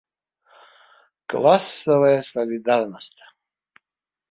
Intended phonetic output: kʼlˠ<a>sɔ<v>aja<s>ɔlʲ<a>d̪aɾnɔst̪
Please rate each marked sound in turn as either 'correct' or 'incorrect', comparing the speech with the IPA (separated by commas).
correct, correct, correct, incorrect